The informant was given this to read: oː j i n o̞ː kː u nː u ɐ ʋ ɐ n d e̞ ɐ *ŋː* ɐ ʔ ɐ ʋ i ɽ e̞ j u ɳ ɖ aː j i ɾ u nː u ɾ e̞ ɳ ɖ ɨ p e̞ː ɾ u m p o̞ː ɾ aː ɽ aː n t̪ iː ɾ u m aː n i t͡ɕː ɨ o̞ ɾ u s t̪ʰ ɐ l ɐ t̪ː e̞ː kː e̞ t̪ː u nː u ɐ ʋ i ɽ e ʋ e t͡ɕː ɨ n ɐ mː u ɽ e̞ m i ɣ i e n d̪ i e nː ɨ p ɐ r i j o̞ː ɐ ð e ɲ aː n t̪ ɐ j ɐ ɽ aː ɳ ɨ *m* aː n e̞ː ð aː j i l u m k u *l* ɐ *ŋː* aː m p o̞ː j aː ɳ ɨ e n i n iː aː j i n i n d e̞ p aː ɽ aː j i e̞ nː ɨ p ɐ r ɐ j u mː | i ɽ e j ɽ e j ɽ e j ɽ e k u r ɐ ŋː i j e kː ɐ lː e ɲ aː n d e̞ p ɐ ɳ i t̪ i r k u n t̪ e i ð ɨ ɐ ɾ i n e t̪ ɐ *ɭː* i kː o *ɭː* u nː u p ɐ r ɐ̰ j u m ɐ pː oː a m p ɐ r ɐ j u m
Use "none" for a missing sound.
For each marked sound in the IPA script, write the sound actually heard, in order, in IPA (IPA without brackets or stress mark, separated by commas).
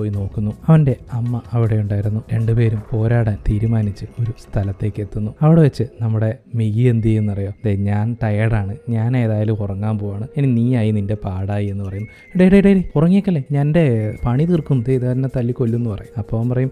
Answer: mː, ɲ, r, ŋː, lː, lː